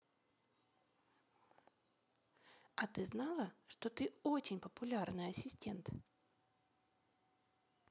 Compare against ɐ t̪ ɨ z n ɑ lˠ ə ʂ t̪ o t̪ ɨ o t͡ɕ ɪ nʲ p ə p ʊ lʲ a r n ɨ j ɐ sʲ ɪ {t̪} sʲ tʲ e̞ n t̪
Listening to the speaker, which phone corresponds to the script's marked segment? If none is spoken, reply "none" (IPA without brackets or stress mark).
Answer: none